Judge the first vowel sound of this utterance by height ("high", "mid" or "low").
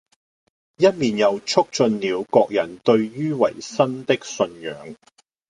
low